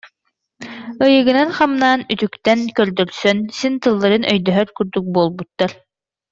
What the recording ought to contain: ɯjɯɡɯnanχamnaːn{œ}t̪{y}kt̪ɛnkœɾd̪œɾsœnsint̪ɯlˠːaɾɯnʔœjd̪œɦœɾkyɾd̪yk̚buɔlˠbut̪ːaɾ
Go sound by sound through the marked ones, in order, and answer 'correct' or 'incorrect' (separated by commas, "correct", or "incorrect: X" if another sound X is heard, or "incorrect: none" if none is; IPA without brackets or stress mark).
incorrect: y, correct